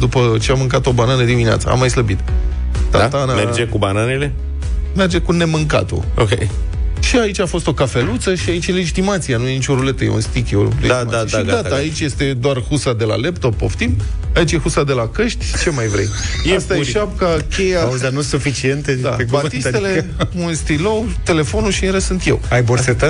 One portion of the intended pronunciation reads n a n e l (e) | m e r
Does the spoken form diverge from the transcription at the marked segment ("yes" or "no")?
no